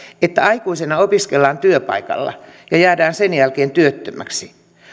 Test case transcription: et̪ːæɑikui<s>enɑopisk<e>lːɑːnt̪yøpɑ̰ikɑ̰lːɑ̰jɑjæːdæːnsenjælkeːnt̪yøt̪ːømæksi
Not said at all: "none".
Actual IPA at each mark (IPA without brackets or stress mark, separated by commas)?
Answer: s, e